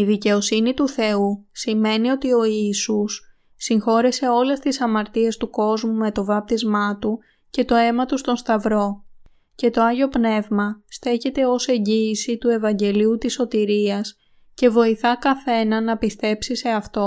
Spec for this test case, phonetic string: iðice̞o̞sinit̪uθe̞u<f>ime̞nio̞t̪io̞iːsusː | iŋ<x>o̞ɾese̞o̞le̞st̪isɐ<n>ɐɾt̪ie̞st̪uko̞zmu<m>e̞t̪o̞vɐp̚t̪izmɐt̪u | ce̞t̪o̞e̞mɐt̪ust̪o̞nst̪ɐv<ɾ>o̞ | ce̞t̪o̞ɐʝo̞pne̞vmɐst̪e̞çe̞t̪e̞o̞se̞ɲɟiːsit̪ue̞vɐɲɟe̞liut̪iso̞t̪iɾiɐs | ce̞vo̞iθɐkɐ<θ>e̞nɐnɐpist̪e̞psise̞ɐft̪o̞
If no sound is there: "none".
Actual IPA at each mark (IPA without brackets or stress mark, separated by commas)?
s, x, m, m, ɾ, θ